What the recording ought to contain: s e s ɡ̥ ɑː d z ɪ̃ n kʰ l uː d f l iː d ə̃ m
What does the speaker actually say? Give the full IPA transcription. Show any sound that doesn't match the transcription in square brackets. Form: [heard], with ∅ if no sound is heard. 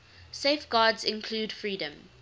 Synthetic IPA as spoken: s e [f] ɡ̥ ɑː d z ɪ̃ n kʰ l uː d f [ɹ] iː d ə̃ m

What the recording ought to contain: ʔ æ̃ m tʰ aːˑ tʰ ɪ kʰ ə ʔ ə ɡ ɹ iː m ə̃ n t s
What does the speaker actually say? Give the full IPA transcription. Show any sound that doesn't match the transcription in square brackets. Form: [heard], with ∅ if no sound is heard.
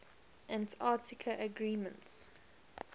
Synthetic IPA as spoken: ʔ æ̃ [n] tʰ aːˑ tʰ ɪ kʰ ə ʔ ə ɡ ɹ iː m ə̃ n t s

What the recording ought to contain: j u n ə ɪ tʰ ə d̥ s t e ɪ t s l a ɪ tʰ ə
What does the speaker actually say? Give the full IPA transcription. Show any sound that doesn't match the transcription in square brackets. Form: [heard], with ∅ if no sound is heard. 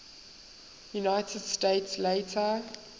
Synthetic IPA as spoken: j u n [a] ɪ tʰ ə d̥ s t e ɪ t s l [e] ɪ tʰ ə

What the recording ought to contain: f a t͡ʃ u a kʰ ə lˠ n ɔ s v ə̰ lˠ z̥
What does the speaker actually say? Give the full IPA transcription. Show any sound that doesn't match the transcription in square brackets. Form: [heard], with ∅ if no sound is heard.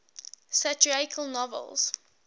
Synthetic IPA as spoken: [s] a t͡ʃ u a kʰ ə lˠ n ɔ [∅] v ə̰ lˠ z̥

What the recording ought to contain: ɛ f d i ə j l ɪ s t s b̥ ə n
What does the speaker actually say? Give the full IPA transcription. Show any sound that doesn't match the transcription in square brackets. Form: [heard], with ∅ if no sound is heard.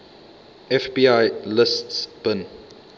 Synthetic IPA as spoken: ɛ f [b] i [a] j l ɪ s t s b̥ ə n

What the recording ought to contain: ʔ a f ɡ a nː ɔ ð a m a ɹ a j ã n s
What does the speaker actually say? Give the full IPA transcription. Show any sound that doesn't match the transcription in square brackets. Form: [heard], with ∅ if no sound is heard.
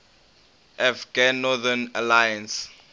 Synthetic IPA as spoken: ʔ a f ɡ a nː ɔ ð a [n] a [l] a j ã n s

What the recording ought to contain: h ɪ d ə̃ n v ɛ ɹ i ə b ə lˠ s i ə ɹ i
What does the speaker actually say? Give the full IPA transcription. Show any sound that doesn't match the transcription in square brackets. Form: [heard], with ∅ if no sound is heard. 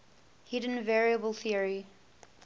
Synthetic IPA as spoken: h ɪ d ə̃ n v ɛ ɹ i ə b ə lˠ [θ] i ə ɹ i

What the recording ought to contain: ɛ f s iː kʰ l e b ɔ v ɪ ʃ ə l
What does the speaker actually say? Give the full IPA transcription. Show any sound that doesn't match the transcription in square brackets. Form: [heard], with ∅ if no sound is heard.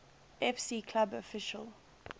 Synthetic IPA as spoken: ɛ f s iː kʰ l [a] b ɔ [f] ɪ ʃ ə l

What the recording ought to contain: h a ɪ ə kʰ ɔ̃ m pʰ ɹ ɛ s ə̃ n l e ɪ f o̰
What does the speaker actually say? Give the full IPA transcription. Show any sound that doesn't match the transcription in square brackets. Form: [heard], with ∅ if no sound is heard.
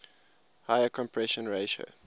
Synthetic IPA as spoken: h a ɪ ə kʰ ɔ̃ m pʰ ɹ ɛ [ʃ] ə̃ n [ɹ] e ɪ [ʃ] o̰

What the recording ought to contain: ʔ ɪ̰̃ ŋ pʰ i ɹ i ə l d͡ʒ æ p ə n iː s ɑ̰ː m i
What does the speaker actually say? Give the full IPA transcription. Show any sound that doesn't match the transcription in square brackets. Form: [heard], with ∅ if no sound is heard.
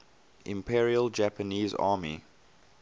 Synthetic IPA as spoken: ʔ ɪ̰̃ [m] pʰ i ɹ i ə l d͡ʒ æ p ə n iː [z] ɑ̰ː m i

